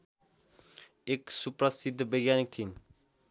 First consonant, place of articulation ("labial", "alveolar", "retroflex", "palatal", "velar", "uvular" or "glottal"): velar